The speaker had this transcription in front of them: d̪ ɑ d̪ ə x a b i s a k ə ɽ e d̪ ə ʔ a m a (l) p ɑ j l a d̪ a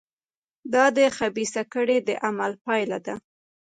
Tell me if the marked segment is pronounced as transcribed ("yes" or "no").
yes